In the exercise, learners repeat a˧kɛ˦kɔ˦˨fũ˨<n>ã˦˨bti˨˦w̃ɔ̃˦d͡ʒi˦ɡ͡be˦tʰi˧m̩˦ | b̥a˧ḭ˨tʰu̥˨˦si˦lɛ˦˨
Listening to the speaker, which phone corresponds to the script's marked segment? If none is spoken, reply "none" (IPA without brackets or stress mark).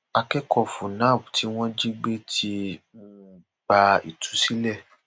n